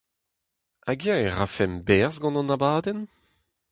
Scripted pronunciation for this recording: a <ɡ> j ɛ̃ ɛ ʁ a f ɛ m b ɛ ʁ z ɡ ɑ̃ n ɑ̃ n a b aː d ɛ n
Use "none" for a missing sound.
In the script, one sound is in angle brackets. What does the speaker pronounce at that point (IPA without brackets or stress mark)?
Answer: ɡ